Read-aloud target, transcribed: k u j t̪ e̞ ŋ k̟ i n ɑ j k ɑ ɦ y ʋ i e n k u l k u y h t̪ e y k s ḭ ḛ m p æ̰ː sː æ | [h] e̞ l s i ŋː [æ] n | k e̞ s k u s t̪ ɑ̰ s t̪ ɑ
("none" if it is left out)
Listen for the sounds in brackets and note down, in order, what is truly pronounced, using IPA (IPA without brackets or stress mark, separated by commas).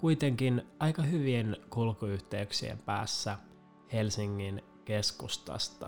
h, i